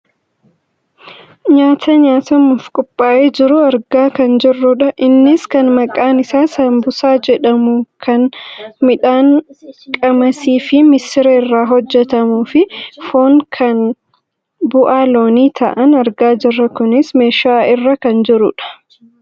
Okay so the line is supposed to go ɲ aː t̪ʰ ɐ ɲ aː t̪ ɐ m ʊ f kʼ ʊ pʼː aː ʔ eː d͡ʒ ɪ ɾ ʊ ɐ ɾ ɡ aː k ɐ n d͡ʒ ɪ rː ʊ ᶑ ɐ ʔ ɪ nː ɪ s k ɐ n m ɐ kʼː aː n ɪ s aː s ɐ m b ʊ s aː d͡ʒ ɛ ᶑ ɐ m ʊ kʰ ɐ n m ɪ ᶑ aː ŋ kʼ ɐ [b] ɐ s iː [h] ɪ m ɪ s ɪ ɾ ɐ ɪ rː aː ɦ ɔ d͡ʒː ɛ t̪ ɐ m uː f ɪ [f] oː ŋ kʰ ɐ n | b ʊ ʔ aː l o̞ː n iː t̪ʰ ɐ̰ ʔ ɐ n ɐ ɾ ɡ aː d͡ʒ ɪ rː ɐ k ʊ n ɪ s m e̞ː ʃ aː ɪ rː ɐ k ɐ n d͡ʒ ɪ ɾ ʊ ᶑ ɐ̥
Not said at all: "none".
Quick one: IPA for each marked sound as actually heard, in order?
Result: m, f, f

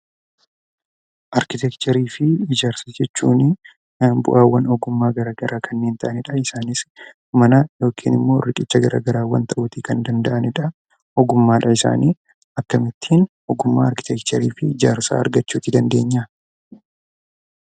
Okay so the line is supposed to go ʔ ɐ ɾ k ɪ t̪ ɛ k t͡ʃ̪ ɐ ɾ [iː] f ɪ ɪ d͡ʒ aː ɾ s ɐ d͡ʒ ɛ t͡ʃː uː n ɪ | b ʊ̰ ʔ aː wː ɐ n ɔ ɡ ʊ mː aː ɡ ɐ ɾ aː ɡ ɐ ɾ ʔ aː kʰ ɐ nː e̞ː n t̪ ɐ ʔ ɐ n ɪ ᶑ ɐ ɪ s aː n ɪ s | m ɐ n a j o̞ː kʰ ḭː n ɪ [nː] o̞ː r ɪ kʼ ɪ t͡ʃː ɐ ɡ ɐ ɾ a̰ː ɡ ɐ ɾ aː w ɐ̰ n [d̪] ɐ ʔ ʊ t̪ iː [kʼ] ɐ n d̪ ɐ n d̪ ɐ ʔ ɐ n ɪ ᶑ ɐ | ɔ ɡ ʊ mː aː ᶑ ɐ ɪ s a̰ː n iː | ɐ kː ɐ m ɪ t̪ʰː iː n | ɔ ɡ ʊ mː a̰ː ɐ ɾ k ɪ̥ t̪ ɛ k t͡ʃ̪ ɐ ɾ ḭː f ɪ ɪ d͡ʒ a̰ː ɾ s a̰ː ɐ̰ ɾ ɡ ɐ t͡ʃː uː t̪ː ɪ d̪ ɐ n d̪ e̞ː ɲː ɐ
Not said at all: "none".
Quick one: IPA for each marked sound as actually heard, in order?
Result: iː, mː, t̪, k

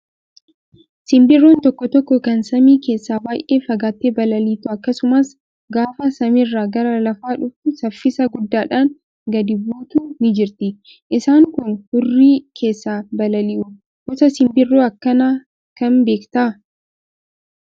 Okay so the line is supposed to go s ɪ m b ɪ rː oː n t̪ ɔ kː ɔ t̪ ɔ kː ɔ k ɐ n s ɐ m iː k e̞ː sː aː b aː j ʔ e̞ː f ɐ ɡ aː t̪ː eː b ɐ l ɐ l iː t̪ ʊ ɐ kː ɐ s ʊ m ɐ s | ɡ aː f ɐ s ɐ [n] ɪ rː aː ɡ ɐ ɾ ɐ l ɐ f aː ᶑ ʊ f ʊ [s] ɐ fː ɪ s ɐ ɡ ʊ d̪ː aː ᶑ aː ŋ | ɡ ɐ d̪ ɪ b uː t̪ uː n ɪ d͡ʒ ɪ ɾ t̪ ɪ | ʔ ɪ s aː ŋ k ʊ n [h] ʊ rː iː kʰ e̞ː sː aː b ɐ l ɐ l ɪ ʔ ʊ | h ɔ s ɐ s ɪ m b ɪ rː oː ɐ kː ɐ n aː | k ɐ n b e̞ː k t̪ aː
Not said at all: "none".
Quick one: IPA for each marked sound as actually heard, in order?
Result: m, s, h

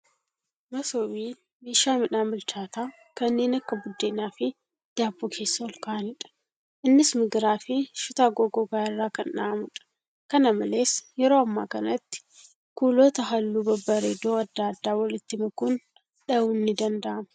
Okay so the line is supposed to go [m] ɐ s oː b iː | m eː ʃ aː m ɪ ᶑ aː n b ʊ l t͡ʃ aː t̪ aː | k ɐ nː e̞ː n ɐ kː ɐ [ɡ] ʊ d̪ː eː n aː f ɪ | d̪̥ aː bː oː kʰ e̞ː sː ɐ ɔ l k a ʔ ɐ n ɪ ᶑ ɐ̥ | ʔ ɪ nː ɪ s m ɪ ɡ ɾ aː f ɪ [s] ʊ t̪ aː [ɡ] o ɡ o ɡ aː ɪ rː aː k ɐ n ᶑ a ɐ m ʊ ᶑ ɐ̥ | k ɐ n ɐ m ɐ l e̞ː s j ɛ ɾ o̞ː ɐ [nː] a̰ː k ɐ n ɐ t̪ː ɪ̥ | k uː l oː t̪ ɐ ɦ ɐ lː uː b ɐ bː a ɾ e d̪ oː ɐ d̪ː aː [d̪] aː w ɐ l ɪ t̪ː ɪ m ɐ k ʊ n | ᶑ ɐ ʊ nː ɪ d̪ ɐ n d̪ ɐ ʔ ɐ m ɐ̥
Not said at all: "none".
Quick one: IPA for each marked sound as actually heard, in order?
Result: m, b, ʃ, ɡ, mː, d̪ː

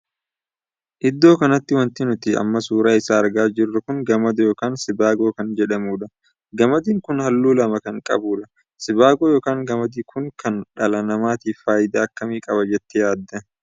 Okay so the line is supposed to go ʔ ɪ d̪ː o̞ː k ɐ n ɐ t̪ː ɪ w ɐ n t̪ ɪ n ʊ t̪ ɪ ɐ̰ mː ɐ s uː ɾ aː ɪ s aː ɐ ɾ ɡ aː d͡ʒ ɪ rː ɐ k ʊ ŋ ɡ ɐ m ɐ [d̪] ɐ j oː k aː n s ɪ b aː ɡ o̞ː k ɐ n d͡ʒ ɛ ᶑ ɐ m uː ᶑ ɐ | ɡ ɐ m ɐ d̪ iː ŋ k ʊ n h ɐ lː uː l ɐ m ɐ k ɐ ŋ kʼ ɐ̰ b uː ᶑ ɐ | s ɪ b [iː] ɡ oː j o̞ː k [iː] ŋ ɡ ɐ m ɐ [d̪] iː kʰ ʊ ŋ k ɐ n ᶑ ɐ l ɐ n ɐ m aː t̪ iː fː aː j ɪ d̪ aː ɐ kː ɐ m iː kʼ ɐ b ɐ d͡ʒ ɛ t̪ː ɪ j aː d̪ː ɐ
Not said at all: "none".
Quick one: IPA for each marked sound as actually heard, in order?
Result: d̪, aː, aː, d̪

